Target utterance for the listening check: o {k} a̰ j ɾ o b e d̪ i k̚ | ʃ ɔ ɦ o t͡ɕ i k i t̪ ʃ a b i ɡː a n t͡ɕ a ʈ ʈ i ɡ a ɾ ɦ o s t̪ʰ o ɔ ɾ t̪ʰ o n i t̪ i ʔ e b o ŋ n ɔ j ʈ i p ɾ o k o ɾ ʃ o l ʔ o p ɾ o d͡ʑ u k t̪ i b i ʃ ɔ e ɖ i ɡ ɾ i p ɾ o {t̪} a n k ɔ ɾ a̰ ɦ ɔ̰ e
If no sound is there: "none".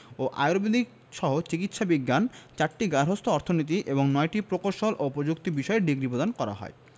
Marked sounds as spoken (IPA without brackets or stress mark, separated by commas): ʔ, d̪